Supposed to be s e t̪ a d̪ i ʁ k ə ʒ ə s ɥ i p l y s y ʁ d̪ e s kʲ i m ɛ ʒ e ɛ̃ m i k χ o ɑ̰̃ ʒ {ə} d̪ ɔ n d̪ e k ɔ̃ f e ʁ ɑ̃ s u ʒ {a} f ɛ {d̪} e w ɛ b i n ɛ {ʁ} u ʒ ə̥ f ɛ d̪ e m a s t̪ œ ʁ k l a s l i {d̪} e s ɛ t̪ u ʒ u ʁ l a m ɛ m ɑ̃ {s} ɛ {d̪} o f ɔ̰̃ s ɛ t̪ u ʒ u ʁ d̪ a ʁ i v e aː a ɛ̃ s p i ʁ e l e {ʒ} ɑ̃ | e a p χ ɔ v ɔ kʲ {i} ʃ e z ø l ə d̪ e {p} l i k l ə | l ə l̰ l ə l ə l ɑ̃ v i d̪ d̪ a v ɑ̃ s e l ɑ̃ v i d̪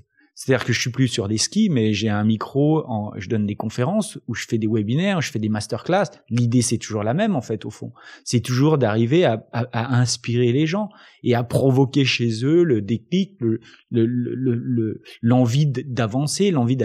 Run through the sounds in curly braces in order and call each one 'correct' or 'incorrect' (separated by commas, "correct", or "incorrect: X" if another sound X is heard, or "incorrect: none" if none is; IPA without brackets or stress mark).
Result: correct, incorrect: ə, correct, correct, correct, incorrect: f, incorrect: t̪, correct, incorrect: e, incorrect: k